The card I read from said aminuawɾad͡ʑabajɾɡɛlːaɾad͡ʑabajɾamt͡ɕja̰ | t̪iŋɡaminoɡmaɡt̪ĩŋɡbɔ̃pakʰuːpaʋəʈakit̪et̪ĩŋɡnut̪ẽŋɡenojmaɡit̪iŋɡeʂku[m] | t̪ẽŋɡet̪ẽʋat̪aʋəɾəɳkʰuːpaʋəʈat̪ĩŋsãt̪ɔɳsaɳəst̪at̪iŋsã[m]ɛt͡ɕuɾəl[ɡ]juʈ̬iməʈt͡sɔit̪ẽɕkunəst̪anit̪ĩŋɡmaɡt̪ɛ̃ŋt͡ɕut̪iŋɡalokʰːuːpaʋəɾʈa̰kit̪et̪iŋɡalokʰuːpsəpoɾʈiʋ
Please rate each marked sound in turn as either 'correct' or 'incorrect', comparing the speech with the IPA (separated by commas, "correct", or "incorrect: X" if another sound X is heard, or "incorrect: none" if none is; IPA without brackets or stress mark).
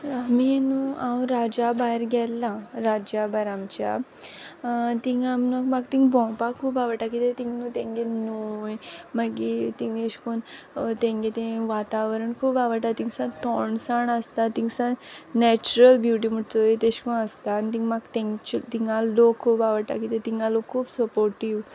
incorrect: n, incorrect: n, incorrect: b